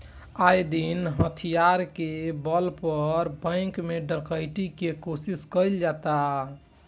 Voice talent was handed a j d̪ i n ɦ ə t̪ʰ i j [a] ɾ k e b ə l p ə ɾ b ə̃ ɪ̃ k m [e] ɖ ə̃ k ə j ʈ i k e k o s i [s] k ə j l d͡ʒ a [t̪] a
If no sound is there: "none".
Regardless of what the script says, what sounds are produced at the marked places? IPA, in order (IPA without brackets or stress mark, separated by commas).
a, e, s, t̪